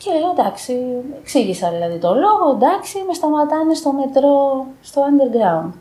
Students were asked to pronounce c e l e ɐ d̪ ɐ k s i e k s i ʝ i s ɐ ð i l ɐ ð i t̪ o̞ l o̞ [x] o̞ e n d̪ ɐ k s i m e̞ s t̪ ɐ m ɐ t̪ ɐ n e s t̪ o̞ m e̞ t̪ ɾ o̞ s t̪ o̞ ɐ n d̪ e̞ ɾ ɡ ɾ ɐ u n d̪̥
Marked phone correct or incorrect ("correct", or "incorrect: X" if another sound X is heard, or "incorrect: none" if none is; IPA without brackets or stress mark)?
incorrect: ɣ